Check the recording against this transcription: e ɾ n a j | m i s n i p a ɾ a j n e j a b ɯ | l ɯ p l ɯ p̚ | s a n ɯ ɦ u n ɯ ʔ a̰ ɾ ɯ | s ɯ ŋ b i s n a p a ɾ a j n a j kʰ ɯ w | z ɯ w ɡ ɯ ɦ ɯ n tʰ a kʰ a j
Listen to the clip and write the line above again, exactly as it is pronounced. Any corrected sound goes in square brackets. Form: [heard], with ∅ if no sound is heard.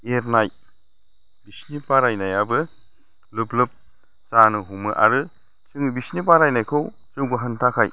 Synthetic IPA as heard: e ɾ n a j | [b] i s n i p a ɾ a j n [a] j a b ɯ | l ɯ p l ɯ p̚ | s a n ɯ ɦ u [m] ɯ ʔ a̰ ɾ ɯ | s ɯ ŋ b i s n [i] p a ɾ a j n a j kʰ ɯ w | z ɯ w ɡ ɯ ɦ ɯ n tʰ a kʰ a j

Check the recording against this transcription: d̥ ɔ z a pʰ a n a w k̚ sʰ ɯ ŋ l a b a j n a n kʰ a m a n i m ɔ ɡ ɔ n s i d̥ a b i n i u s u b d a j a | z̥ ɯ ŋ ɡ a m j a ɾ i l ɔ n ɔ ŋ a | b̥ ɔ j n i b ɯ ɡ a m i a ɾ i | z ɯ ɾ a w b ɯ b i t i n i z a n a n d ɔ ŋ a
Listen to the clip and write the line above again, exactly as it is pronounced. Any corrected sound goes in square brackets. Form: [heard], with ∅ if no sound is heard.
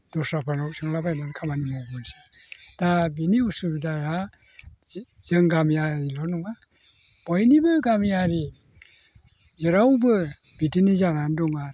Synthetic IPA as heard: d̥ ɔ [s] a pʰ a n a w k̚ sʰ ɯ ŋ l a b a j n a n kʰ a m a n i m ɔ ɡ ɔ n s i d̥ a b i n i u s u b d a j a | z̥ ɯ ŋ ɡ a m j a ɾ i l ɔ n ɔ ŋ a | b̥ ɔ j n i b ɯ ɡ a m [j] a ɾ i | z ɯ ɾ a w b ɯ b i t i n i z a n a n d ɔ ŋ a

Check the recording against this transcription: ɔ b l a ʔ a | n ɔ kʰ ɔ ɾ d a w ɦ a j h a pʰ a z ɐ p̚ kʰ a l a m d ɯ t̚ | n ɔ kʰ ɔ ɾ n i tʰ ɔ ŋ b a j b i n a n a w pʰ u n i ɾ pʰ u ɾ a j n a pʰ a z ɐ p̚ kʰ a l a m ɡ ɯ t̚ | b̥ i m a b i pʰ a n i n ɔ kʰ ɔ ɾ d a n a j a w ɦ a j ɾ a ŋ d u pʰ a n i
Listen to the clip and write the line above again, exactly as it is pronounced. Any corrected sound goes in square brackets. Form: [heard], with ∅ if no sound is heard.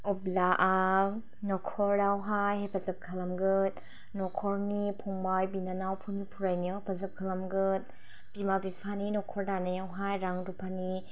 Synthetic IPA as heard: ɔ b l a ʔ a | n ɔ kʰ ɔ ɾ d a w ɦ a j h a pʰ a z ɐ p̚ kʰ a l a m [ɡ] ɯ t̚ | n ɔ kʰ ɔ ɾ n i [pʰ] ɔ ŋ b a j b i n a n a w pʰ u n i [∅] pʰ u ɾ a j n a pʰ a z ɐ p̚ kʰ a l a m ɡ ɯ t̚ | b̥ i m a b i pʰ a n i n ɔ kʰ ɔ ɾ d a n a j a w ɦ a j ɾ a ŋ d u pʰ a n i

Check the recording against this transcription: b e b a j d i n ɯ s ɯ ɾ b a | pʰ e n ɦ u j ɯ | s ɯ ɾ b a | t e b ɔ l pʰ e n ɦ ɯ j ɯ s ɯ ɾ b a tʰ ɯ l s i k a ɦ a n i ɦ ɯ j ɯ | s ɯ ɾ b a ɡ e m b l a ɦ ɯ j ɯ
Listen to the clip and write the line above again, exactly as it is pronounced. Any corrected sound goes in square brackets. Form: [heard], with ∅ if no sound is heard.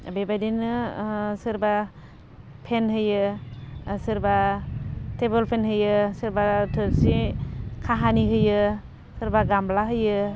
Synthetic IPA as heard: b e b a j d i n ɯ s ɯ ɾ b a | pʰ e n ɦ [ɯ] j ɯ | s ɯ ɾ b a | t e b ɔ l pʰ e n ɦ ɯ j ɯ s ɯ ɾ b a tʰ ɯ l s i [kʰ] a ɦ a n i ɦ ɯ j ɯ | s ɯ ɾ b a ɡ [a] m b l a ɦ ɯ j ɯ

